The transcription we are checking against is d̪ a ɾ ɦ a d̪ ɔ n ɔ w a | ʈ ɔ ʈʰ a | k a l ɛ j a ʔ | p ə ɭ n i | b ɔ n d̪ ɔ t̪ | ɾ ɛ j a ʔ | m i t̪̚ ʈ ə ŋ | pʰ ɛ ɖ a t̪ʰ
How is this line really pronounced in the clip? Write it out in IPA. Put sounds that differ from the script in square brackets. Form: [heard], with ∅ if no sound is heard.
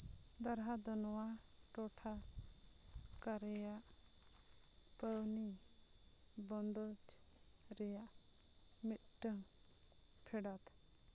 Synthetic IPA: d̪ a ɾ ɦ a d̪ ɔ n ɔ w a | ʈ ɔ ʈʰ a | k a [ɾ] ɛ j a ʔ | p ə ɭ n i | b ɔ n d̪ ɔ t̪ | ɾ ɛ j a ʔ | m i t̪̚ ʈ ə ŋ | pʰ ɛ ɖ a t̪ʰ